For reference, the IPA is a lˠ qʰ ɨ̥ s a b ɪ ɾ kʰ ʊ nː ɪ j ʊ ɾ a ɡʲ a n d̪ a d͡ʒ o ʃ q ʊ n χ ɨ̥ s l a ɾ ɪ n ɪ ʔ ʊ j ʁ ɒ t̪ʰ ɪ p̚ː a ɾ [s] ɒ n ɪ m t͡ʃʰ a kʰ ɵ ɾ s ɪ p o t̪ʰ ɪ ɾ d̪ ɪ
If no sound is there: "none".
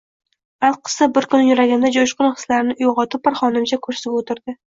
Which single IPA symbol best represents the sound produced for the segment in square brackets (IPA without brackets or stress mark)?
χ